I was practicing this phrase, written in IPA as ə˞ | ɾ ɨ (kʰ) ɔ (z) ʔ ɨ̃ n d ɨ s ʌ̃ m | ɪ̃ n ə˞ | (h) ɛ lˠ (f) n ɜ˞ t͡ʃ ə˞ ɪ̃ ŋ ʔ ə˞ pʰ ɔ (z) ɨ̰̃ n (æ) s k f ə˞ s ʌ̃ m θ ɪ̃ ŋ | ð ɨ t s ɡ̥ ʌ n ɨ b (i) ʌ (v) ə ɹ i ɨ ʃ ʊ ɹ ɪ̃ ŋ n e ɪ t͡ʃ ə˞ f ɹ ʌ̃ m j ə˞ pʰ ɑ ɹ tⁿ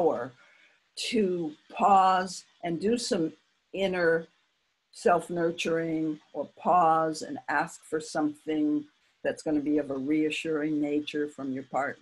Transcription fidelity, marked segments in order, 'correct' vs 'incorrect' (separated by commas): incorrect, correct, incorrect, correct, correct, correct, correct, correct